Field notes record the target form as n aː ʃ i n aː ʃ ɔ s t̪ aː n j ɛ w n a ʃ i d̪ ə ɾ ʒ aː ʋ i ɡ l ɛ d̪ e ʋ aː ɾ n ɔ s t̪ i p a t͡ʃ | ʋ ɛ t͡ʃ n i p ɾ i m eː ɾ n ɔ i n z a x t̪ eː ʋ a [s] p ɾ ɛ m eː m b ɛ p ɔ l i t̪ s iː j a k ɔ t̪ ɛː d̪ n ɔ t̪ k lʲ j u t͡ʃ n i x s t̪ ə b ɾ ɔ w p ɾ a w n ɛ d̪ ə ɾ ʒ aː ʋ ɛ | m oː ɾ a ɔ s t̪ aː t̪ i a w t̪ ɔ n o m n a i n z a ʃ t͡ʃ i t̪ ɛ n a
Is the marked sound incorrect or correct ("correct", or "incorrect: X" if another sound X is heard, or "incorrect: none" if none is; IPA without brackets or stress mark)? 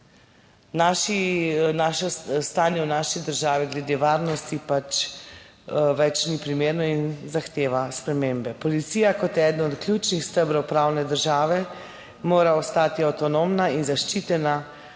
correct